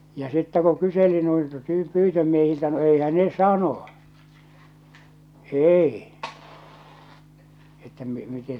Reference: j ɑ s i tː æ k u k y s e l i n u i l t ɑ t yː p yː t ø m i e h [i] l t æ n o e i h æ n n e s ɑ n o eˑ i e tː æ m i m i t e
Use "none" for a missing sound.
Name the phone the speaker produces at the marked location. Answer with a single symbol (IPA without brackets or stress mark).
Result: i